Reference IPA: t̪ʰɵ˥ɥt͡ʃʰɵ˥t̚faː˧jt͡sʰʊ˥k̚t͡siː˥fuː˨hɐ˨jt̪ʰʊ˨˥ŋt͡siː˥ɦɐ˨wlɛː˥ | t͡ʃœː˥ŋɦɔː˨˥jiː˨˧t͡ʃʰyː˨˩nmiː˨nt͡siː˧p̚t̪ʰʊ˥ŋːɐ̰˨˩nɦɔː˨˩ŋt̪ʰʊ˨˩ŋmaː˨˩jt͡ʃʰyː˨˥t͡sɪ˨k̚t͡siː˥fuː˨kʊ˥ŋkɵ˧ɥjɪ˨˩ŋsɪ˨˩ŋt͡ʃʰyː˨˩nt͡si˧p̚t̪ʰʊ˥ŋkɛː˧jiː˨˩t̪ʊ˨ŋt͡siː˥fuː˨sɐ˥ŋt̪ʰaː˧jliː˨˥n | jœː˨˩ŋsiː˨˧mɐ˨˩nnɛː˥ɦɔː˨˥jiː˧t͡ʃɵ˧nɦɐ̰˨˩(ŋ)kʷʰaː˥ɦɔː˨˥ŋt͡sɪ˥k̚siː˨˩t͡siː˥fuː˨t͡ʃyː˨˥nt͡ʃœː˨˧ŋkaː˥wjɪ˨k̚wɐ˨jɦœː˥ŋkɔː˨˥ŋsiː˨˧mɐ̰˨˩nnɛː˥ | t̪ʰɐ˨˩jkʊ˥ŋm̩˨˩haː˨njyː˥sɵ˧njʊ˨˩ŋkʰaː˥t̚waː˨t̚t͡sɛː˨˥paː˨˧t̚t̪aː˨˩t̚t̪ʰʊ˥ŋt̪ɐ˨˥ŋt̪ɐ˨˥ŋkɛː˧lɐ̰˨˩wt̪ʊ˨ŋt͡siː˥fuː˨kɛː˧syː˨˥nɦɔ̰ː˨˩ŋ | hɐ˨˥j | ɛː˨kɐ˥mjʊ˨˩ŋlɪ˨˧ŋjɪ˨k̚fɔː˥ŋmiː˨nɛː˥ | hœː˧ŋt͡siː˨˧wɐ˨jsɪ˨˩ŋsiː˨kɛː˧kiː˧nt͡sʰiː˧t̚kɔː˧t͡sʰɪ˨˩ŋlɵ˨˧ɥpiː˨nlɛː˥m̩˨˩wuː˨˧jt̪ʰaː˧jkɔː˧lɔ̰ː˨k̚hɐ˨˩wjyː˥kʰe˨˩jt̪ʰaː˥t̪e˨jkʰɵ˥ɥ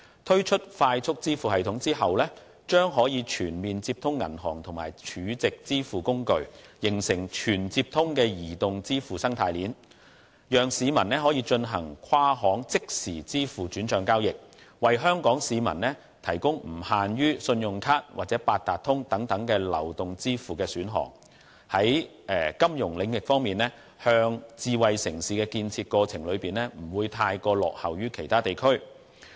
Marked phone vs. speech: correct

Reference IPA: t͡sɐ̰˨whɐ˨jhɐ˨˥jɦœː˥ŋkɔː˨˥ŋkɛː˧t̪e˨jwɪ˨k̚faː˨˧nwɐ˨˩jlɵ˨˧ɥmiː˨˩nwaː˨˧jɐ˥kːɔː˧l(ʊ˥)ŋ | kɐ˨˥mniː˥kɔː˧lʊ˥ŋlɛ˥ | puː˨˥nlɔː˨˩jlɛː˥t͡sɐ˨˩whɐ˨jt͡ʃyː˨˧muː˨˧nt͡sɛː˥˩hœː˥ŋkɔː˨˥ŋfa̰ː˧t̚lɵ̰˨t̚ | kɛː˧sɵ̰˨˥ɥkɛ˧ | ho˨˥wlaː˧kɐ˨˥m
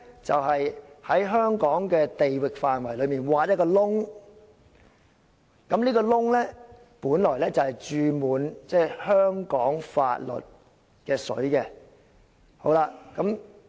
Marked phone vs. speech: correct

